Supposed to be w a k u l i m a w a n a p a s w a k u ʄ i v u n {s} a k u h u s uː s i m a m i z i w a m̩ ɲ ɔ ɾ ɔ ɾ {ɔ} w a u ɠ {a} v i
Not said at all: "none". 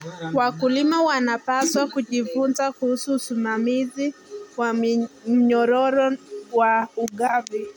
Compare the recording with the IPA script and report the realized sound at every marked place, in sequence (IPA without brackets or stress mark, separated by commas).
z, ɔ, a